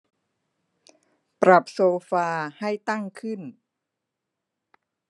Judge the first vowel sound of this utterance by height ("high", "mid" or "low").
low